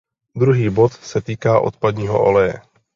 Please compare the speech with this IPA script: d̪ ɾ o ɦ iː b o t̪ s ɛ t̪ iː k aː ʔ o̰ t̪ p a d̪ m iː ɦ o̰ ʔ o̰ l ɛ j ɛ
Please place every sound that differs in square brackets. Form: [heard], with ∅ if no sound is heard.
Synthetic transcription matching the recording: d̪ ɾ [u] ɦ iː b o t̪ s ɛ t̪ iː k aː ʔ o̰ t̪ p a d̪ [ɲ] iː ɦ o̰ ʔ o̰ l ɛ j ɛ